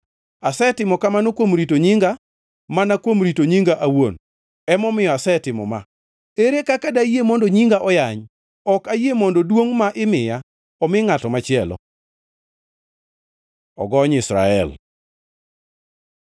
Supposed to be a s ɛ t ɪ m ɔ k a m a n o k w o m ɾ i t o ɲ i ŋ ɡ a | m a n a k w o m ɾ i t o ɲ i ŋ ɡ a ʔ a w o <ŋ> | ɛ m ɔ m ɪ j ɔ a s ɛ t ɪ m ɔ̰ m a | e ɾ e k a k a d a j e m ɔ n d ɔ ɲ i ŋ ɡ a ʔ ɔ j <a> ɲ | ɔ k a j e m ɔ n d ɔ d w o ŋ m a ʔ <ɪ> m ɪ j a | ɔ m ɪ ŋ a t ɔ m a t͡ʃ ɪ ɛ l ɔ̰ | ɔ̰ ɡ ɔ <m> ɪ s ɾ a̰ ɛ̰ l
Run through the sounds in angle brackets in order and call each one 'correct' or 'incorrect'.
incorrect: n, correct, correct, incorrect: ɲ

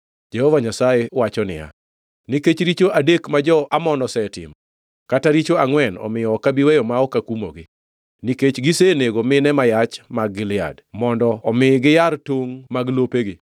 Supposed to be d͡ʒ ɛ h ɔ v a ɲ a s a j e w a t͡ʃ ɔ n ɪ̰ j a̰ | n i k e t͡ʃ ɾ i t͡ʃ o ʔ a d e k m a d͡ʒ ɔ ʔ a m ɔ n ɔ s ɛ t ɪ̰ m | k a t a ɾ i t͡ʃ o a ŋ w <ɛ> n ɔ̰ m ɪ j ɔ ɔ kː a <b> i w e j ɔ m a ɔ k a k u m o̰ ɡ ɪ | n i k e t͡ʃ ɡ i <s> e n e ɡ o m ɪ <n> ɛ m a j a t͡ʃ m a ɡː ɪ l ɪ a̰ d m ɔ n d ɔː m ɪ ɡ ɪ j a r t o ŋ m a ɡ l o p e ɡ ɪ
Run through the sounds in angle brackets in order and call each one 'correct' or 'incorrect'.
correct, correct, correct, correct

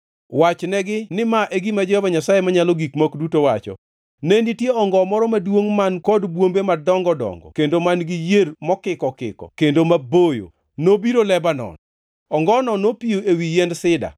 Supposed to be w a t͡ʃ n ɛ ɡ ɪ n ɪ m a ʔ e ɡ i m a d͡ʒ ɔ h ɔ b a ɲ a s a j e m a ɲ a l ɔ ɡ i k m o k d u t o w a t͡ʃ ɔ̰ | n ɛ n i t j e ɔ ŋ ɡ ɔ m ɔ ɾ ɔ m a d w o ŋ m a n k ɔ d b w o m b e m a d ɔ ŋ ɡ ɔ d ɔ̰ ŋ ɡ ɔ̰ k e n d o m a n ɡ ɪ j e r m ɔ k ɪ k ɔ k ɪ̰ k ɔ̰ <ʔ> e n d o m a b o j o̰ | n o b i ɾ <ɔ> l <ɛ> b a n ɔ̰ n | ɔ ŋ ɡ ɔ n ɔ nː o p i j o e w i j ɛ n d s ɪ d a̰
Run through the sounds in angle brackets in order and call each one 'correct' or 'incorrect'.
incorrect: k, incorrect: o, correct

